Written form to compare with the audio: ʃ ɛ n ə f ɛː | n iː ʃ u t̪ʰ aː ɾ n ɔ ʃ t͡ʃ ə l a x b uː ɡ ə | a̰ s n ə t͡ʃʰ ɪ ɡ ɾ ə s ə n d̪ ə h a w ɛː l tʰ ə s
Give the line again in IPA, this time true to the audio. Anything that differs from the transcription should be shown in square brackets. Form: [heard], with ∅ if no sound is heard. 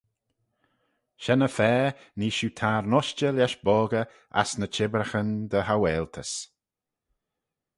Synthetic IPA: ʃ ɛ n ə f ɛː | n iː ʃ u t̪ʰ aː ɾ n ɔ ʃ t͡ʃ ə l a [ʃ] b [ɔː] ɡ ə | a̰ s n ə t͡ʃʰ ɪ [b] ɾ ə [x] ə n d̪ ə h a w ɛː l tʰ ə s

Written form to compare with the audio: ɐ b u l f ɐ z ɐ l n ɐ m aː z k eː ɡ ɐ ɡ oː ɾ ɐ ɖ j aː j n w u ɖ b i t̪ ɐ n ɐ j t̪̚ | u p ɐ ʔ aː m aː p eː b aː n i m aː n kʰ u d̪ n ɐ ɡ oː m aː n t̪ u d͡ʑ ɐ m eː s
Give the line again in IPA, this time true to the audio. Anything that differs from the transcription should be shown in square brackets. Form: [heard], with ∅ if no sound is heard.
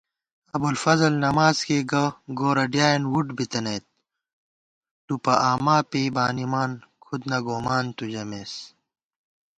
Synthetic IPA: ɐ b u l f ɐ z ɐ l n ɐ m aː z k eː ɡ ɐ ɡ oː ɾ ɐ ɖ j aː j n w u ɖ b i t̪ ɐ n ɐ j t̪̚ | u p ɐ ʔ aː m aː p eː b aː n i m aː n kʰ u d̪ n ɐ ɡ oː m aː n t̪ u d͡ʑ ɐ m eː s

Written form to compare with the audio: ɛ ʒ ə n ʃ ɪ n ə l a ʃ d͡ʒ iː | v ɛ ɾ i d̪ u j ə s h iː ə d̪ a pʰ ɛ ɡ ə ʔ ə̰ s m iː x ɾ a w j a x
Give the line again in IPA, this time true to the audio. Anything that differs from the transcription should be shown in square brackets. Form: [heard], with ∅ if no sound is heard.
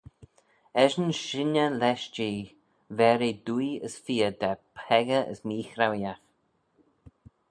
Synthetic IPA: ɛ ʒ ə n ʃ ɪ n ə l [ɛ] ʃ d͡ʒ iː | v ɛ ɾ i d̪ u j ə s [f] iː ə d̪ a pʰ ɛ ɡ ə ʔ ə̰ s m iː x ɾ a w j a x

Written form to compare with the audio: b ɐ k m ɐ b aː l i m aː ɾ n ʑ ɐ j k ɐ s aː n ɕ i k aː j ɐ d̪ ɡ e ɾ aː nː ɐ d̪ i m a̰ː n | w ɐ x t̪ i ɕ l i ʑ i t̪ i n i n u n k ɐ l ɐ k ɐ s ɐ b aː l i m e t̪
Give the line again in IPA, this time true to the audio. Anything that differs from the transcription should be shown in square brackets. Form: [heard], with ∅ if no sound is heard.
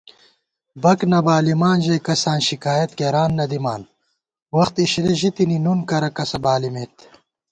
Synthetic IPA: b ɐ k [n] ɐ b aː l i m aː [∅] n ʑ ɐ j k ɐ s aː n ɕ i k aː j ɐ [t̪] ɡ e ɾ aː nː ɐ d̪ i m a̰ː n | w ɐ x t̪ i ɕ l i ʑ i t̪ i n i n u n k ɐ [ɾ] ɐ k ɐ s ɐ b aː l i m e t̪

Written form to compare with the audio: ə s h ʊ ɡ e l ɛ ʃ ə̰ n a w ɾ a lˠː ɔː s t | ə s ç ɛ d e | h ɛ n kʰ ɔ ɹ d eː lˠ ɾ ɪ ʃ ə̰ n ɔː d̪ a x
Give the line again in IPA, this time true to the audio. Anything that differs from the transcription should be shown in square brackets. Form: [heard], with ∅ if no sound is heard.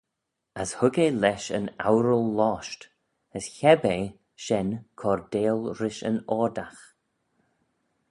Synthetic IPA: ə s h ʊ ɡ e l ɛ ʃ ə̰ n a w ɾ [ə] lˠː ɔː [ʃ] t | ə s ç ɛ [b] e | [ʃ] ɛ n kʰ ɔ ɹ d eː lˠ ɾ ɪ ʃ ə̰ n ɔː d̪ a x

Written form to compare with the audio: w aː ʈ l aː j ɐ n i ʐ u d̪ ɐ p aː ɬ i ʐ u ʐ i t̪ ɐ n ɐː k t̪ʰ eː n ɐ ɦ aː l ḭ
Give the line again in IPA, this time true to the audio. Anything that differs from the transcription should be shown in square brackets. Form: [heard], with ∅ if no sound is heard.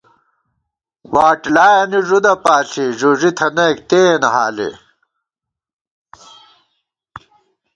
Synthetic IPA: w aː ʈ l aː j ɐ n i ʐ u d̪ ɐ p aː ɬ i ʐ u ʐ i [t̪ʰ] ɐ n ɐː k [t̪] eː n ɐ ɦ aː l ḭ

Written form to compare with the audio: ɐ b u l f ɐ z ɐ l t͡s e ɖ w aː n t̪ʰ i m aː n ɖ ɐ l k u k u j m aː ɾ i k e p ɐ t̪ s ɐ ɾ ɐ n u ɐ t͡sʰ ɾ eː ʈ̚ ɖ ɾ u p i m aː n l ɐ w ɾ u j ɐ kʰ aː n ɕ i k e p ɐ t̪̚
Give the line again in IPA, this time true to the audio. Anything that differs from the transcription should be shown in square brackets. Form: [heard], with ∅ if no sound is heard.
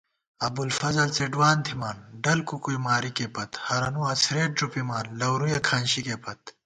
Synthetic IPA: ɐ b u l f ɐ z ɐ l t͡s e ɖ w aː n t̪ʰ i m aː n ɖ ɐ l k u k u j m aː ɾ i k e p ɐ t̪ [h] ɐ ɾ ɐ n u ɐ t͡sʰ ɾ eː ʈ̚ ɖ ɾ u p i m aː n l ɐ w ɾ u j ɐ kʰ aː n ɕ i k e p ɐ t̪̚

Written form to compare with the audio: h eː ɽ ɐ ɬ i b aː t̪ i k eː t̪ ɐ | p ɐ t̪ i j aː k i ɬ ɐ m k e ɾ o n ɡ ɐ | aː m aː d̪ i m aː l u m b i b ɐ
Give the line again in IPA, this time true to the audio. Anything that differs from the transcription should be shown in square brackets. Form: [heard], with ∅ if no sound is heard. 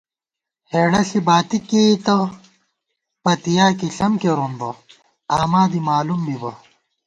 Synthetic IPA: h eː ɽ ɐ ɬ i b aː t̪ i k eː t̪ ɐ | p ɐ t̪ i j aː k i ɬ ɐ m k e ɾ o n [b] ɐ | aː m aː d̪ i m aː l u m b i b ɐ

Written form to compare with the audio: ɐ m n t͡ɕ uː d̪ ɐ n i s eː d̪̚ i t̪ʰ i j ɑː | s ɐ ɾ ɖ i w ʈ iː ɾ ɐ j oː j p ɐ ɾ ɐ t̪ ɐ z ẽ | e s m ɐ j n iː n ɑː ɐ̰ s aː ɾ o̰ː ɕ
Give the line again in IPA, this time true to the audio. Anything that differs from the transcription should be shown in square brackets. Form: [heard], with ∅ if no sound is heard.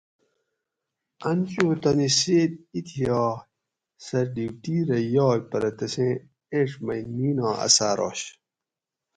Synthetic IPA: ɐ [∅] n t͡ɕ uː [t̪] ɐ n i s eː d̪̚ i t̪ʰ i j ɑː | s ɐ ɾ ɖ i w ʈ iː ɾ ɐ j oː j p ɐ ɾ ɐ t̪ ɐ [s] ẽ | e [ʂ] m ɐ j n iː n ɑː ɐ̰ s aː ɾ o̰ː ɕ

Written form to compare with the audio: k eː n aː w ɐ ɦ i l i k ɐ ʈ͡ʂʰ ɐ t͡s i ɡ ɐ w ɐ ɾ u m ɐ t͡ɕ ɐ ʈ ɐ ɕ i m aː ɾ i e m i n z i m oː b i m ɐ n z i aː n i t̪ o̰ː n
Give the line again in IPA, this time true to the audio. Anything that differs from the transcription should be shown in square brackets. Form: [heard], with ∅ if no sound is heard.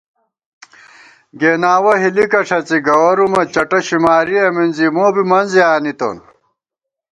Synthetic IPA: [ɡ] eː n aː w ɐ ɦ i l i k ɐ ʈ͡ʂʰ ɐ t͡s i ɡ ɐ w ɐ ɾ u m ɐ t͡ɕ ɐ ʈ ɐ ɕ i m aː ɾ i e m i n z i m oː b i m ɐ n z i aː n i t̪ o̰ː n

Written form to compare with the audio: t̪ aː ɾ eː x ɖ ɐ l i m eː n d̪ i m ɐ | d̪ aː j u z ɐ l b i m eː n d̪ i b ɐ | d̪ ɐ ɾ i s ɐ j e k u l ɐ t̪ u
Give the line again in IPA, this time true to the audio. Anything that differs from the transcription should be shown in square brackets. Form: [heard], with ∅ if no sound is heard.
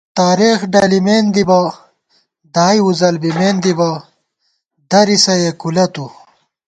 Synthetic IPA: t̪ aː ɾ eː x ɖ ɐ l i m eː n d̪ i [b] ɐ | d̪ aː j u z ɐ l b i m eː n d̪ i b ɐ | d̪ ɐ ɾ i s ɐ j e k u l ɐ t̪ u

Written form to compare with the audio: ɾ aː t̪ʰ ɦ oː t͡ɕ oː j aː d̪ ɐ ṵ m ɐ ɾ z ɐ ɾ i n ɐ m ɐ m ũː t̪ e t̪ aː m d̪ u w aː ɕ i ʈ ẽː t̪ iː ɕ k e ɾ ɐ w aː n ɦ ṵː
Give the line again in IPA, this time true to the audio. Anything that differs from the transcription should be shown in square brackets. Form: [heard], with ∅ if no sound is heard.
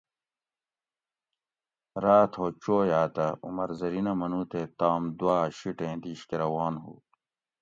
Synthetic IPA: ɾ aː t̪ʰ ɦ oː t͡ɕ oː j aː [t̪] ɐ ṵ m ɐ ɾ z ɐ ɾ i n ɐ m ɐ [n] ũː t̪ e t̪ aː m d̪ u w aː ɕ i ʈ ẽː [d̪] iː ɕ k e ɾ ɐ w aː n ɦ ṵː

